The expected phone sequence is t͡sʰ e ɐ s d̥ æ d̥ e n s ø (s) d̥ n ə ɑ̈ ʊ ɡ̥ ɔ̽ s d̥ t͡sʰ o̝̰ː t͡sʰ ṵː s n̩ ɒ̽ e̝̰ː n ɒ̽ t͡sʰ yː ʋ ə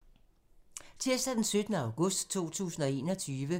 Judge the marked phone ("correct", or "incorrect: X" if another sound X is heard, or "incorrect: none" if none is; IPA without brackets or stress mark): incorrect: none